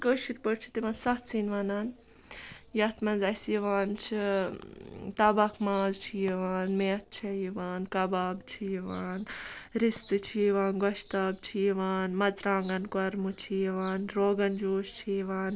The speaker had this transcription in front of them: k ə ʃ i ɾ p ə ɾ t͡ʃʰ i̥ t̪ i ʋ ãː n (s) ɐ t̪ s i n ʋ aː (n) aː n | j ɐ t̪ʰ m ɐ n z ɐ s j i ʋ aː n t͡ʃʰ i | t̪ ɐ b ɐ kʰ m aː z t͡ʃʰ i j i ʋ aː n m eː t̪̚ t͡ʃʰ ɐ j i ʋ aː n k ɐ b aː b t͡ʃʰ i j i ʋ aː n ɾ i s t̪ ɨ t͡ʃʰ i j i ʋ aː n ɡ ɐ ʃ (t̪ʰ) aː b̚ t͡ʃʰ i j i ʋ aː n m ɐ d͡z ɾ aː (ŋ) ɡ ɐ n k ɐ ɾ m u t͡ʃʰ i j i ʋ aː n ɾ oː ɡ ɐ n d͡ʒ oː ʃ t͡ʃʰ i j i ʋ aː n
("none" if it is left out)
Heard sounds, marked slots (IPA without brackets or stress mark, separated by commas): s, n, t̪, ŋ